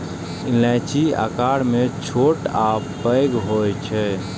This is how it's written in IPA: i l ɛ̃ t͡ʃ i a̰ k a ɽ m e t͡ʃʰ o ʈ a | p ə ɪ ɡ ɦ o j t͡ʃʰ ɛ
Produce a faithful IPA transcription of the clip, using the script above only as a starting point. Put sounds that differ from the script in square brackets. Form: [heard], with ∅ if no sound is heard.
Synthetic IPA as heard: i l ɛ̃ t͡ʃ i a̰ k a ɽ m e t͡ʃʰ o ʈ a | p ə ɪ ɡ ɦ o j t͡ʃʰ ɛ